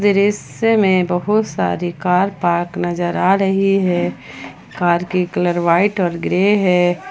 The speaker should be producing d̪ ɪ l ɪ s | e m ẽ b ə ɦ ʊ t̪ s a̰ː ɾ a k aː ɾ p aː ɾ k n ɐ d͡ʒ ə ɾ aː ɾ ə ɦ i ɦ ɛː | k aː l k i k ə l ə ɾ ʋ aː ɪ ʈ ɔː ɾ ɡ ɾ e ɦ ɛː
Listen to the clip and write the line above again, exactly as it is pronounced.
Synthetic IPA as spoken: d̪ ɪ ɾ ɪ s | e m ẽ b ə ɦ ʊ t̪ s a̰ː ɾ i k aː ɾ p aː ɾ k n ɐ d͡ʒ ə ɾ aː ɾ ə ɦ i ɦ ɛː | k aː ɾ k i k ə l ə ɾ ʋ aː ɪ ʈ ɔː ɾ ɡ ɾ e ɦ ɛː